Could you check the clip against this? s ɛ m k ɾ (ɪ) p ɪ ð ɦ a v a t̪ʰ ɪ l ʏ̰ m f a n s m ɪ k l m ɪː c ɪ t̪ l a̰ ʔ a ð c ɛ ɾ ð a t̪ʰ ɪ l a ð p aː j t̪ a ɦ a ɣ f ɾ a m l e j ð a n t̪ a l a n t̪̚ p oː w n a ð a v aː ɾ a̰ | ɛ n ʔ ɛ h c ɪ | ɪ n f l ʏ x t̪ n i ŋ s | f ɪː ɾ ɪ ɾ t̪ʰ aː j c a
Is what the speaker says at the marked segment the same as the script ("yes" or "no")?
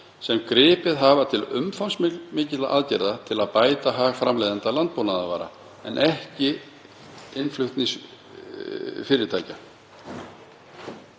no